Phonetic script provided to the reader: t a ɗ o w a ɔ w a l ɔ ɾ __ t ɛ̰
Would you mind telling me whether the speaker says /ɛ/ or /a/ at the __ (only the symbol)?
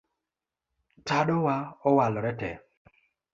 ɛ